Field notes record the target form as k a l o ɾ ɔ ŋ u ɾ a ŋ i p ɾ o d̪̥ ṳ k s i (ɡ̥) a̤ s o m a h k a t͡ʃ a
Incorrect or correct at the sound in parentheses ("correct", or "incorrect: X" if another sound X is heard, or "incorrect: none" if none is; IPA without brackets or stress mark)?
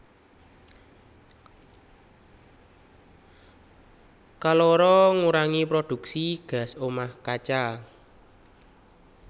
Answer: correct